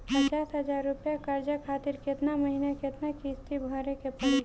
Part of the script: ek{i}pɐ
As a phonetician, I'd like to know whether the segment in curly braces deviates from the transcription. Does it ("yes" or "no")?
yes